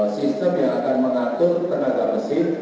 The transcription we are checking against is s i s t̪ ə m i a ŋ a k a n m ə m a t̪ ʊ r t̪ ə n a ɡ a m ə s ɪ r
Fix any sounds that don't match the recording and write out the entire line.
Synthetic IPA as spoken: s i s t̪ ə m j a ŋ a k a n m ə ŋ a t̪ ʊ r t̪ ə n a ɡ a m ə s ɪ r